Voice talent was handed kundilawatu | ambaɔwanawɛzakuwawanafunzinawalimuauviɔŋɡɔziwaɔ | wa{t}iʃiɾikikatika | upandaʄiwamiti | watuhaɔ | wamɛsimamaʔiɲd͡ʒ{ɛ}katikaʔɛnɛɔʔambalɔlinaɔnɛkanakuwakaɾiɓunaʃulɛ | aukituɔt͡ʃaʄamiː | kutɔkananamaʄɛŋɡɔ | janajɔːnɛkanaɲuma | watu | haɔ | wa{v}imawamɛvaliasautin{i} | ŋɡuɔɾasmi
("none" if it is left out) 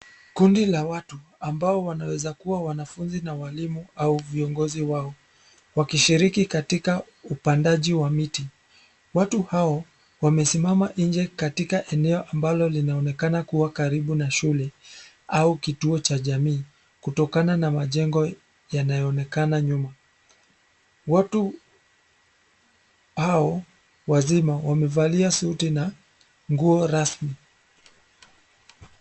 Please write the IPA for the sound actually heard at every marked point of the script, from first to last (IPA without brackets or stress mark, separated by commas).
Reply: k, ɛ, z, a